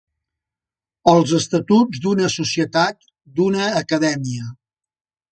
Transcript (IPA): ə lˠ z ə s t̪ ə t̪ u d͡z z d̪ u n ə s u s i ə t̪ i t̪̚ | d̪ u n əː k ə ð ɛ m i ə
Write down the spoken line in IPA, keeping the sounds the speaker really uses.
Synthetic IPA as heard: ə lˠ z ə s t̪ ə t̪ u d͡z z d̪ u n ə s u s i ə t̪ a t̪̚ | d̪ u n əː k ə ð ɛ m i ə

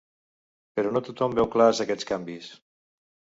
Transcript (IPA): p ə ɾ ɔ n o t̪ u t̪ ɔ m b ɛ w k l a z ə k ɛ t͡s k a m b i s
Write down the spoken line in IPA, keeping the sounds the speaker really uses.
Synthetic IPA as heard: p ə ɾ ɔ n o t̪ u t̪ ɔ m b ɛ w k l a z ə k ɛ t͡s k a m b i s

